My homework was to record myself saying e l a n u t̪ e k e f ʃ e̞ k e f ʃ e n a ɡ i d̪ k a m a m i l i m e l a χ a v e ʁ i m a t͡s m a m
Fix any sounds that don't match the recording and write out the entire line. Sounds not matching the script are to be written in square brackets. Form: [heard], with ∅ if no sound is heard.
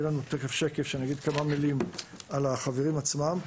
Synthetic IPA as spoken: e l a n u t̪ e k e f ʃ e̞ k e f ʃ e n a ɡ i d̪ k a m a m i l i m [a] l a χ a v e ʁ i m a t͡s m a m

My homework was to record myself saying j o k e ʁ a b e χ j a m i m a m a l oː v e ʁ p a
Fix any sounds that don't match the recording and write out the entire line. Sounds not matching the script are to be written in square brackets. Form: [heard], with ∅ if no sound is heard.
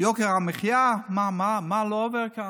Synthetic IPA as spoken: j o k e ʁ a [m] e χ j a m [a] m a m a l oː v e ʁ [k] a

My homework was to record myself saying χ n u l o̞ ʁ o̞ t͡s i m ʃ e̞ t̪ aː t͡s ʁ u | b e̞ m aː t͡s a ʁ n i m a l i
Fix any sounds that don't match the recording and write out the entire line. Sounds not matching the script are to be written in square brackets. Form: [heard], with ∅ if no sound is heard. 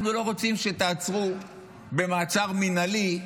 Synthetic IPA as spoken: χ n u l o̞ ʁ o̞ t͡s i m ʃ e̞ t̪ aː t͡s ʁ u | b e̞ m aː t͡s a ʁ [m] i [n] a l i

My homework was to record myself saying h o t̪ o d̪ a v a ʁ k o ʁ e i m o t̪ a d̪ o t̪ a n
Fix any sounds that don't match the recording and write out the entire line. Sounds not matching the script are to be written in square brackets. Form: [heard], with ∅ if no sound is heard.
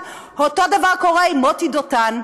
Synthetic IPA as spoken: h o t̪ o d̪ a v a ʁ k o ʁ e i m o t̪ [i] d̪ o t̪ a n

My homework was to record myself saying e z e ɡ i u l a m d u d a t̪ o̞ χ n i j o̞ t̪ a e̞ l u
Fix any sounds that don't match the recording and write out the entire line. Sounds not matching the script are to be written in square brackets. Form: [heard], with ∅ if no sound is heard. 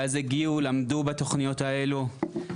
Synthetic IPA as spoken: [a] z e ɡ i u l a m d u [b] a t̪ o̞ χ n i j o̞ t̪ a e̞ l u

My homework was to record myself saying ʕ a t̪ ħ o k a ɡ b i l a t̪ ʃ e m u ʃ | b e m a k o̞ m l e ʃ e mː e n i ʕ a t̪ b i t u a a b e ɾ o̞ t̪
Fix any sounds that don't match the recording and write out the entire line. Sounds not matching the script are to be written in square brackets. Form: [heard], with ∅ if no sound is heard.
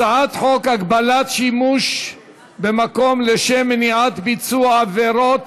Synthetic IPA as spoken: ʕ a t̪ ħ o k a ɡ b [a] l a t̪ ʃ [i] m u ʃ | b e m a k o̞ m l e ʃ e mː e n i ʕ a t̪ b i [t͡s] u a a [v] e ɾ o̞ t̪

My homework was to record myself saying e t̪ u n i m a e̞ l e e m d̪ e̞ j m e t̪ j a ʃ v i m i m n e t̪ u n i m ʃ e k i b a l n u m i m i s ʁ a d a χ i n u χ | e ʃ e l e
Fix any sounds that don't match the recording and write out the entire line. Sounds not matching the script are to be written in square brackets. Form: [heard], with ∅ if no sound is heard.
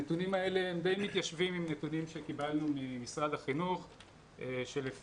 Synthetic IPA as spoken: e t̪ u n i m a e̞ l e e m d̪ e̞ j m [i] t̪ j a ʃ v i m i m n e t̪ u n i m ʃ e k i b a l n u m i m i s ʁ a d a χ i n u χ | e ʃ e l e

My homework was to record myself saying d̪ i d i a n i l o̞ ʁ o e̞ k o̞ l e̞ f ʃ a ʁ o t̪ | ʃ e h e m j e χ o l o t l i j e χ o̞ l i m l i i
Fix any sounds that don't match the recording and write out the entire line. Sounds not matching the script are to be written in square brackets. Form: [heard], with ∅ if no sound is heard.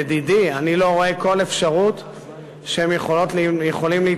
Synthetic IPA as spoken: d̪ i d i a n i l o̞ ʁ o e̞ k o̞ l e̞ f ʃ a ʁ [u] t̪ | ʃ e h e m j e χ o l o t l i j e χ o̞ l i m l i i

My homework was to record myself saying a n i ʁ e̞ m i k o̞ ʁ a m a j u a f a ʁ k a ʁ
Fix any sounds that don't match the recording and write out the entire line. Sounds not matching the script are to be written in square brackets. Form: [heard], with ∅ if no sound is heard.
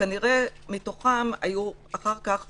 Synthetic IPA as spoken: a n i ʁ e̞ m i [t] o̞ [χ] a m a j u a [χ] a ʁ k a [χ]

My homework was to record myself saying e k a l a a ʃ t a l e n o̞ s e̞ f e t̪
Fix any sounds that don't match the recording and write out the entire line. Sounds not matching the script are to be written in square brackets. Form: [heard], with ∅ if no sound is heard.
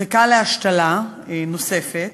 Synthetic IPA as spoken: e k a l [e] a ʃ t a l [a] n o̞ s e̞ f e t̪

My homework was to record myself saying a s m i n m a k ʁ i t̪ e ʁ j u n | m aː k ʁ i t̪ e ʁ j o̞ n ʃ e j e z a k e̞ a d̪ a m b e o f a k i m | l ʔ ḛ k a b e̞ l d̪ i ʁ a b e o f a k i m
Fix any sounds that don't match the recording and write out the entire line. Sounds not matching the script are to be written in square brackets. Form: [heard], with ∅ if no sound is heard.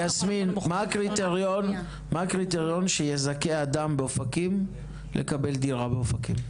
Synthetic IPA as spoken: a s m i n m a k ʁ i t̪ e ʁ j [o] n | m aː k ʁ i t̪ e ʁ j o̞ n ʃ e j e z a k e̞ a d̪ a m b e o f a k i m | l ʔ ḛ k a b e̞ l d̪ i ʁ a b e o f a k i m

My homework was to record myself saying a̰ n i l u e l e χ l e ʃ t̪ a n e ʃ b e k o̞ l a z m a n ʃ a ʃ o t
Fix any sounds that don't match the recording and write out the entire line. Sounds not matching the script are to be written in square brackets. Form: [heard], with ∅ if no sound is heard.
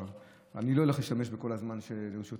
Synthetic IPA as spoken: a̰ n i l [o] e l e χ l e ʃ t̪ a [m] e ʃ b e k o̞ l a z m a n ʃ [e] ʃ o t

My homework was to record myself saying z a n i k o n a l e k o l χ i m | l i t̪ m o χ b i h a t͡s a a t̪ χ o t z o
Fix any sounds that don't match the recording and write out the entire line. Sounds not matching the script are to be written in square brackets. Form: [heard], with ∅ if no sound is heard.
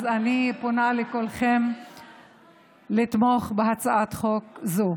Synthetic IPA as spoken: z a n i [p] o n a l e k o l χ [e] m | l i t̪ m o χ b [e] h a t͡s a a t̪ χ o [k] z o

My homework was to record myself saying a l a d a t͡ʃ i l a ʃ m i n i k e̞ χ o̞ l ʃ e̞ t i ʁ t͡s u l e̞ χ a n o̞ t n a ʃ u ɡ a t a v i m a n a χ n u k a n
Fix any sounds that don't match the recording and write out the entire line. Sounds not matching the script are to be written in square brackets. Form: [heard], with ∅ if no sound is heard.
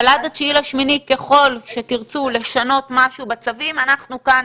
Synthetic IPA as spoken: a l a d a t͡ʃ i l a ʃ m i n i k e̞ χ o̞ l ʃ e̞ t i ʁ t͡s u l e̞ [ʃ] a n o̞ t [m] a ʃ u [b] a [t͡s] a v i m a n a χ n u k a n

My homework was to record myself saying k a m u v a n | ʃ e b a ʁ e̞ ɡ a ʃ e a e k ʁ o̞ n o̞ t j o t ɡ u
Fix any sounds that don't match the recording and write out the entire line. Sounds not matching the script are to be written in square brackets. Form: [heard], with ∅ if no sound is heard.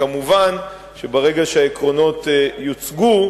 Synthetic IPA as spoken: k a m u v a n | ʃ e b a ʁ e̞ ɡ a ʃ e a e k ʁ o̞ n o̞ t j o [t͡s] ɡ u

